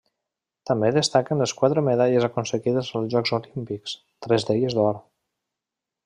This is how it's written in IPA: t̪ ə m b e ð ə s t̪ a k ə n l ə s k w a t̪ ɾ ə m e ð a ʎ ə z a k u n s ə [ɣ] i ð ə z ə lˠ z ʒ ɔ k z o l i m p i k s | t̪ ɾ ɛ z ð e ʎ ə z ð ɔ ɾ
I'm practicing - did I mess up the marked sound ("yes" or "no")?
no